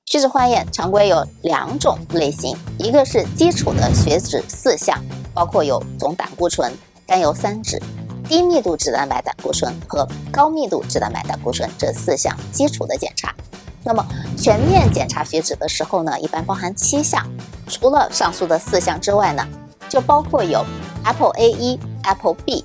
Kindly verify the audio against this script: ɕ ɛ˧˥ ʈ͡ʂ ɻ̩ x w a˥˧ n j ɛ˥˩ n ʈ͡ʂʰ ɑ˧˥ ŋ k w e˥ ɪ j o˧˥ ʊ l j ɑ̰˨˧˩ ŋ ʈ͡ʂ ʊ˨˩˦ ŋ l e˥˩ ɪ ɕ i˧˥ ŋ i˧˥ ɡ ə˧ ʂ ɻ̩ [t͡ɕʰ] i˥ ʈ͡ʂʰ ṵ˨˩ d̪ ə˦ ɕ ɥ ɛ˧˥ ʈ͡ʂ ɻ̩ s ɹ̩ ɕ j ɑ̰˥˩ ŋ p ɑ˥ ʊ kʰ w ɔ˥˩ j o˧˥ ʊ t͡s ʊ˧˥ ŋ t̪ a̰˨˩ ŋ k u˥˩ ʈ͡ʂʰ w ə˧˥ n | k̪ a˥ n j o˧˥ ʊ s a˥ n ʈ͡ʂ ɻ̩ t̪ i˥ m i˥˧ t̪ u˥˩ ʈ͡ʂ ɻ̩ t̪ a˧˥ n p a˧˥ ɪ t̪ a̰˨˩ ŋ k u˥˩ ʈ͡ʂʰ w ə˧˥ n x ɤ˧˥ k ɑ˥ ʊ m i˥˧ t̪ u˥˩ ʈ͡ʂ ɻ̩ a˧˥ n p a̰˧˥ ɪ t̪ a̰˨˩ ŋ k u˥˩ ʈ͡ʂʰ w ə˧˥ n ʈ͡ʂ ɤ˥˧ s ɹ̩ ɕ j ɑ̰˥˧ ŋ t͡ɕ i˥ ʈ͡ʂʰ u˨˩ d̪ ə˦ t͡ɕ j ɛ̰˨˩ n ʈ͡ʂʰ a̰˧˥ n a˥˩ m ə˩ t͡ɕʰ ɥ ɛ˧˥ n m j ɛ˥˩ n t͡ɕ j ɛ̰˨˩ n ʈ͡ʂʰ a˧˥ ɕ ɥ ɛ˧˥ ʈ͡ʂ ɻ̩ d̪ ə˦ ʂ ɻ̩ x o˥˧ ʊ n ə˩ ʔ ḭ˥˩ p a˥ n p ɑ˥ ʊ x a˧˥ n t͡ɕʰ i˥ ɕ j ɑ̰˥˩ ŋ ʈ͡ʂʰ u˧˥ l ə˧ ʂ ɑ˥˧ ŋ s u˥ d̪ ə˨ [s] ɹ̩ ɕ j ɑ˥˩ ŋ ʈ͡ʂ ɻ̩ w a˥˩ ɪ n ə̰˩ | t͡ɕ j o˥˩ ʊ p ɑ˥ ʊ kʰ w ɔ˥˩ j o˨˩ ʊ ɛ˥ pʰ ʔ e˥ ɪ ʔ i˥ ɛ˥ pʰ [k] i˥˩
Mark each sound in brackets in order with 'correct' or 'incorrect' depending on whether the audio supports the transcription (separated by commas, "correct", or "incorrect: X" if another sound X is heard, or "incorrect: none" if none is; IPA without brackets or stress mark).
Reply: incorrect: t͡ɕ, correct, incorrect: p